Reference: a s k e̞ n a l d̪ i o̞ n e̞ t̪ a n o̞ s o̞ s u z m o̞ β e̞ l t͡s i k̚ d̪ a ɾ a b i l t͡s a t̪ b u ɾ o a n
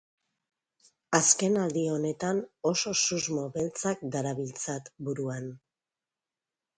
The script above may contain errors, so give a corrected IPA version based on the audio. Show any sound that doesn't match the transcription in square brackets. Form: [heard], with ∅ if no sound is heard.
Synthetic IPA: a s k e̞ n a l d̪ i o̞ n e̞ t̪ a n o̞ s o̞ s u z m o̞ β e̞ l t͡s [a] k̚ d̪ a ɾ a [β] i l t͡s a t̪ b u ɾ [u] a n